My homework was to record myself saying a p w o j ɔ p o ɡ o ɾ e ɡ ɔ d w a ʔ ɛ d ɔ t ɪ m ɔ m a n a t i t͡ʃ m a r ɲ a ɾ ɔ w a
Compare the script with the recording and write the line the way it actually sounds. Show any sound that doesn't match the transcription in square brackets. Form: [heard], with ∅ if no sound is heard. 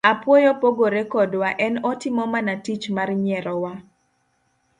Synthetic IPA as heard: a p w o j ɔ p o ɡ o ɾ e [k] ɔ d w a ʔ ɛ [n] ɔ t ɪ m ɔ m a n a t i t͡ʃ m a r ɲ [ɛ] ɾ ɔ w a